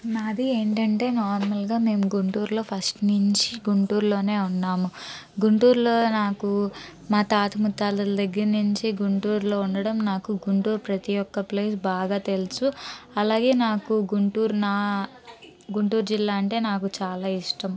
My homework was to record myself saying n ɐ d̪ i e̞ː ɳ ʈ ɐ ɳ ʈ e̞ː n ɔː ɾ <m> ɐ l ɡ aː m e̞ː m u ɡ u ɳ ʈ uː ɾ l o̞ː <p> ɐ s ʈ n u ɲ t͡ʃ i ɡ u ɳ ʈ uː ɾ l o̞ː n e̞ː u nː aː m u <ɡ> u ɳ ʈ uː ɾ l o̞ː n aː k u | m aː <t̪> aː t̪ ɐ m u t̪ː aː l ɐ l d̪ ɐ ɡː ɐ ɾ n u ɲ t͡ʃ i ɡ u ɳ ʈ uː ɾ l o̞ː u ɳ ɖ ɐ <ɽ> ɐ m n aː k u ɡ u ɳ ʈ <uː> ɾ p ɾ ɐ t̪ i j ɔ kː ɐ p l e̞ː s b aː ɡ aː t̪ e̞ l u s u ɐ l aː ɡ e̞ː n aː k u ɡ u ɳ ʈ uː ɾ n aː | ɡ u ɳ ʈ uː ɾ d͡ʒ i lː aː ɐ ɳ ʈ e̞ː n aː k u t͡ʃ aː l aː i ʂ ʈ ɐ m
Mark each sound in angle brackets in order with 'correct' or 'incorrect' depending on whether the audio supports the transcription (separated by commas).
correct, incorrect, correct, correct, correct, correct